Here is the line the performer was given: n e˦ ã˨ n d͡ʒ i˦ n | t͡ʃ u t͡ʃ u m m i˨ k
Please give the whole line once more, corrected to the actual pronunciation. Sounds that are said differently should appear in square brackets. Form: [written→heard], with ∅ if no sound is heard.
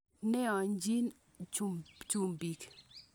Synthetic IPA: n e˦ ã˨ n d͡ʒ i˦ n | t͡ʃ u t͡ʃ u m [m→b] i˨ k